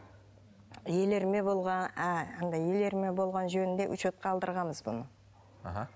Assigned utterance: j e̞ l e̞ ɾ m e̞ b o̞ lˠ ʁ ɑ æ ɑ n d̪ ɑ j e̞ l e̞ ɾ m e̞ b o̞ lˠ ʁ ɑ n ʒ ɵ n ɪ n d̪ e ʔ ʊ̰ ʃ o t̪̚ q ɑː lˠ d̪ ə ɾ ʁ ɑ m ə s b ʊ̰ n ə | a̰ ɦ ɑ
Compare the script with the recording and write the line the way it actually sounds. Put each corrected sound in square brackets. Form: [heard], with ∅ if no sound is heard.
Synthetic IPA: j e̞ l e̞ ɾ m e̞ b o̞ lˠ ʁ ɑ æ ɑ n d̪ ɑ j e̞ l e̞ ɾ m e̞ b o̞ lˠ ʁ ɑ n ʒ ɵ n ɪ n d̪ e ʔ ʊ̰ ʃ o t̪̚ q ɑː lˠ d̪ ə ɾ ʁ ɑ m ə [z] b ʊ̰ n ə | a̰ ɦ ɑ